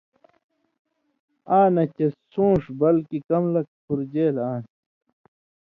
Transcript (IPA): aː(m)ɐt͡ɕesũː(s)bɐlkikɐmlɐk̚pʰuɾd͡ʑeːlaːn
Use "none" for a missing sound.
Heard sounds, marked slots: n, ʂ

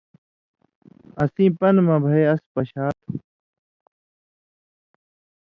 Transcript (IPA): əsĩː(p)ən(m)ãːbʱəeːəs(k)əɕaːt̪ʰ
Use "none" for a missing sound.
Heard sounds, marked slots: p, m, p

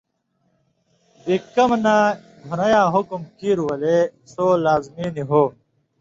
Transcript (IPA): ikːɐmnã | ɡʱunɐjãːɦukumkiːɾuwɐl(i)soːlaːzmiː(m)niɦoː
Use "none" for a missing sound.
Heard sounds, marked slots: e, none

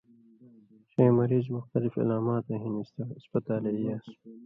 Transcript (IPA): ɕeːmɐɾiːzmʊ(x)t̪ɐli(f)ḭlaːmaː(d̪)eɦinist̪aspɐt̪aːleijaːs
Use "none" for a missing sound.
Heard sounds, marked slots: x, f, t̪

